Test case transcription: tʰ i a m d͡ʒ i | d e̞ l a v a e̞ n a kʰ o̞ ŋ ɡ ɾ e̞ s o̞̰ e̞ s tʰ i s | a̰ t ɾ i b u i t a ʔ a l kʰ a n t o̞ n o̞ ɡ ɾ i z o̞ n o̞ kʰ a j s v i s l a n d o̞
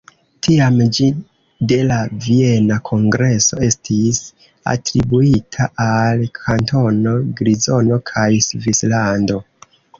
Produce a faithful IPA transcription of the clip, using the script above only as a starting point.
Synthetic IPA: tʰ i a m d͡ʒ i | d e̞ l a v i e̞ n a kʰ o̞ ŋ ɡ ɾ e̞ s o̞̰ e̞ s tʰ i s | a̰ t ɾ i b u i tʰ a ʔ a l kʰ a n t o̞ n o̞ ɡ ɾ i z o̞ n o̞ kʰ a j s v i s l a n d o̞